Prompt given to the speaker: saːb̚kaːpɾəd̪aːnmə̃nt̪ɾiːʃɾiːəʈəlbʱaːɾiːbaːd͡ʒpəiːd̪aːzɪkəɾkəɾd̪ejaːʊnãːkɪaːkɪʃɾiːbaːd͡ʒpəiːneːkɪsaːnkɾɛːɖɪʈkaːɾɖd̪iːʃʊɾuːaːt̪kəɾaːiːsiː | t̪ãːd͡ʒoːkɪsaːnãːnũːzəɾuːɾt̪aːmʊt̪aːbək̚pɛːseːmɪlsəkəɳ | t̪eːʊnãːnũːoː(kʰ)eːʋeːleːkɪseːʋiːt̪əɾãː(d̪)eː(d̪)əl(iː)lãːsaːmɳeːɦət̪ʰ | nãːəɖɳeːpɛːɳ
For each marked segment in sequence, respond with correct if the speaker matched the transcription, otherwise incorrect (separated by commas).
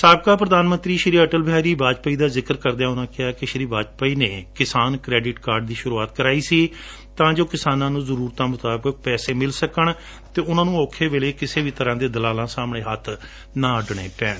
correct, correct, correct, incorrect